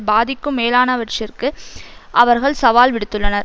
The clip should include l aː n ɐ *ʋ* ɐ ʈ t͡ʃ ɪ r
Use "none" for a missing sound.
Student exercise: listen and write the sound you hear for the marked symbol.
ʋ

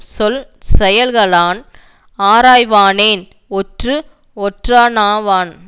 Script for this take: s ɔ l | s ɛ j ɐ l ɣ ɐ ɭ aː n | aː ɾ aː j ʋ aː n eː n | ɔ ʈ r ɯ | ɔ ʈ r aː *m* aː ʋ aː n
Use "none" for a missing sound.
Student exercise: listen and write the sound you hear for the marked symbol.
n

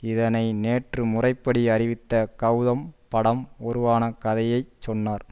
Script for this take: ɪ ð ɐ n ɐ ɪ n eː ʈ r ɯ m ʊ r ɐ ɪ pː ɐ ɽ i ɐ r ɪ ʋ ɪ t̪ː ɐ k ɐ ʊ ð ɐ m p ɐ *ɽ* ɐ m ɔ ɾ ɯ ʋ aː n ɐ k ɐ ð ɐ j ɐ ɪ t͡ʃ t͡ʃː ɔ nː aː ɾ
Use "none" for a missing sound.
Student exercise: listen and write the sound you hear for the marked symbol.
ɽ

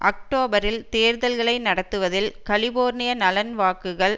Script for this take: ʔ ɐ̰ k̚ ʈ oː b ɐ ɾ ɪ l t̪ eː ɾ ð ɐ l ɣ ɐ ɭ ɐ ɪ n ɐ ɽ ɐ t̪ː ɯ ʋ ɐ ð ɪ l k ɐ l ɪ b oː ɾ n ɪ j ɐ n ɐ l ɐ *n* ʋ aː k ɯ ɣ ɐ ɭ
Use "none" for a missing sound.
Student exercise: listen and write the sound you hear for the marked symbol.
n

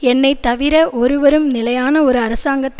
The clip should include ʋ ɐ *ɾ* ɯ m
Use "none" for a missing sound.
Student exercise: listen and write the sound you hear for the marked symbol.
ɾ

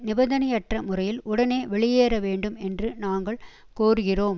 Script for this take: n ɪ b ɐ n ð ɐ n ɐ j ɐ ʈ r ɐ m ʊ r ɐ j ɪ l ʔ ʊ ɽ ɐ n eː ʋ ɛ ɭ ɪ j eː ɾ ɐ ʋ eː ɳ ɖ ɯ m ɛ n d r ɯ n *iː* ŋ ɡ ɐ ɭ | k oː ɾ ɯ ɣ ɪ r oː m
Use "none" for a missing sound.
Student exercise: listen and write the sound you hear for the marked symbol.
aː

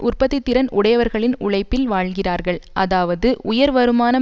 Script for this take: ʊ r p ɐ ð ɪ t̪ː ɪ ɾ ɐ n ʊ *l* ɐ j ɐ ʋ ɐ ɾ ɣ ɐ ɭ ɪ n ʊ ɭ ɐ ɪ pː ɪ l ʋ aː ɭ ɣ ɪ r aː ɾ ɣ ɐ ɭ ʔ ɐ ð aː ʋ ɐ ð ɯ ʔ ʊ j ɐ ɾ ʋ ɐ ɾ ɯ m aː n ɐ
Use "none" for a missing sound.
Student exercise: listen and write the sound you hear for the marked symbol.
ɽ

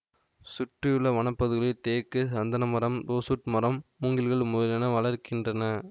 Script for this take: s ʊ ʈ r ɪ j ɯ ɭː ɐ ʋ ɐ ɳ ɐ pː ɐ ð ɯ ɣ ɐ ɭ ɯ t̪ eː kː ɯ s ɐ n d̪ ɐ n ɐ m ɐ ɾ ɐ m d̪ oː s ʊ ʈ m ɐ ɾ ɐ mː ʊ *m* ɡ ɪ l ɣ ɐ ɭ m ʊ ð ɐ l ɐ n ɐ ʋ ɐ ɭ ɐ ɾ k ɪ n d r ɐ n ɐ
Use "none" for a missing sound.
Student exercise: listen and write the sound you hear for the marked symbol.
ŋ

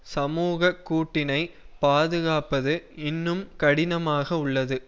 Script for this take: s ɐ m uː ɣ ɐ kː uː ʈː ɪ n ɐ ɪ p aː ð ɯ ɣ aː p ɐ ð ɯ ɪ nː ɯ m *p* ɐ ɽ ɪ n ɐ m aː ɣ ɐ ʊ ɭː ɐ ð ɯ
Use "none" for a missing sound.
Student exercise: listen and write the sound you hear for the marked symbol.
k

